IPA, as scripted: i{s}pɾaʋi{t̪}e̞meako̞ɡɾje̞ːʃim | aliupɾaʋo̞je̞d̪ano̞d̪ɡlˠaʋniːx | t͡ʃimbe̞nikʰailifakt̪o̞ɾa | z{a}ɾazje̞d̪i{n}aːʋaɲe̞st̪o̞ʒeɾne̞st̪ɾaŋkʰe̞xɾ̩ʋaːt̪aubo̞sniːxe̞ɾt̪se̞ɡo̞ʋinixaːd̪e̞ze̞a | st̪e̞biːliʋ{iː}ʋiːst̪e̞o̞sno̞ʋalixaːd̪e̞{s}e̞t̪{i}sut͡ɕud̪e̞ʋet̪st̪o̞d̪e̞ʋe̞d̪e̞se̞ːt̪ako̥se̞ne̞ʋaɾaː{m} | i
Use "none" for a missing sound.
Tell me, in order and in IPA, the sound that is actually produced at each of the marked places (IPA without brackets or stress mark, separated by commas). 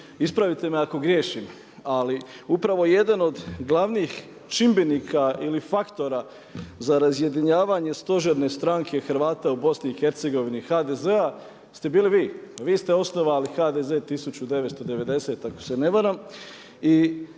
s, t̪, a, ɲ, iː, z, i, m